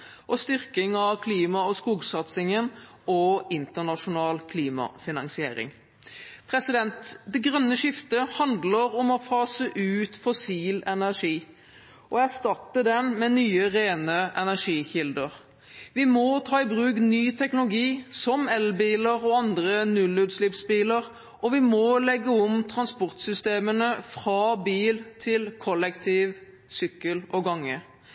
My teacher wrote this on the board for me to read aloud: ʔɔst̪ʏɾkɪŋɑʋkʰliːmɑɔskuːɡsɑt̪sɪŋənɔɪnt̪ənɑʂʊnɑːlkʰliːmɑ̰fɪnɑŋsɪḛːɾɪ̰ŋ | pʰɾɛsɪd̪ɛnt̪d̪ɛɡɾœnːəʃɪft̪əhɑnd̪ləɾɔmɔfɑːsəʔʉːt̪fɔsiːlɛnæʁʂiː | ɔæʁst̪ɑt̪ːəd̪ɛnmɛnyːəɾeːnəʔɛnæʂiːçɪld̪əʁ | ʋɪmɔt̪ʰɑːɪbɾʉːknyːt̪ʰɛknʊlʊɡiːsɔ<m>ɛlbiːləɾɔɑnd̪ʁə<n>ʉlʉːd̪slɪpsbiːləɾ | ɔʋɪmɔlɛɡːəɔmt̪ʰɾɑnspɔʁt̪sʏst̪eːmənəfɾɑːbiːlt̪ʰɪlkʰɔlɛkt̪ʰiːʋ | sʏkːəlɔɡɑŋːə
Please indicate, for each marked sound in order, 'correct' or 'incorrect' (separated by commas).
correct, correct